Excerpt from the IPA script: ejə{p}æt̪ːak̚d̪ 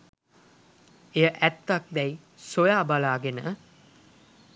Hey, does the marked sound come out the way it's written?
no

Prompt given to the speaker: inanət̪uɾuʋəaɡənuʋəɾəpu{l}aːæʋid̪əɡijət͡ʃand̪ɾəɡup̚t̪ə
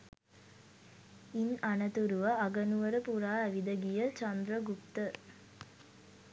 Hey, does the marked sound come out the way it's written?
no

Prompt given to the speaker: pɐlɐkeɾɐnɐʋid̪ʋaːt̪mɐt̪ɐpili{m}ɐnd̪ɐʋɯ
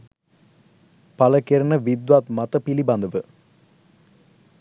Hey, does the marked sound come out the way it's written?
no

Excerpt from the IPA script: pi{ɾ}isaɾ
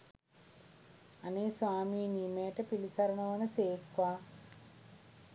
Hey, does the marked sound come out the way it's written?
no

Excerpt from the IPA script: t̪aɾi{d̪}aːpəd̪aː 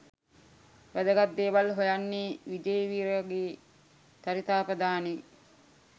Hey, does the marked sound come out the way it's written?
no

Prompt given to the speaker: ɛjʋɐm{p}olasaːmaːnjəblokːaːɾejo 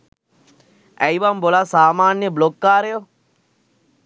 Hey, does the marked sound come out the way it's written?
no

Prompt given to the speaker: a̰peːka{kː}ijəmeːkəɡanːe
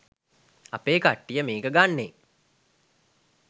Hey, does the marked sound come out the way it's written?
no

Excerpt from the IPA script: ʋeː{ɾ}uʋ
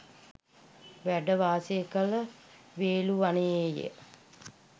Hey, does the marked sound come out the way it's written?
no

